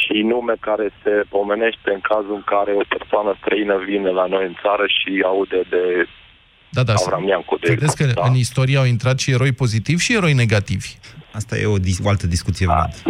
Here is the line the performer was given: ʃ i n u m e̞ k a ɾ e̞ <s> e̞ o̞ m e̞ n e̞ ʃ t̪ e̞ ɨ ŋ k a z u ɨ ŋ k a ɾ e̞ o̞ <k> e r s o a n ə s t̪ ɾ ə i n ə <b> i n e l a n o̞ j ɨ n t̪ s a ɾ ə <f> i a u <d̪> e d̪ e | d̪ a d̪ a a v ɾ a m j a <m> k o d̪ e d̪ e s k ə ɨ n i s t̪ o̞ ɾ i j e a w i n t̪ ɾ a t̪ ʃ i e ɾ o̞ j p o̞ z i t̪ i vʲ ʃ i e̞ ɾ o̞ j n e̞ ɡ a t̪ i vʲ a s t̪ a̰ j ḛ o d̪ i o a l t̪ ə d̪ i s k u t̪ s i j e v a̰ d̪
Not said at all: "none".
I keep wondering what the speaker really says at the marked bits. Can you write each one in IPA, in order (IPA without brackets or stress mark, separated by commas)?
s, p, v, ʃ, d̪, ŋ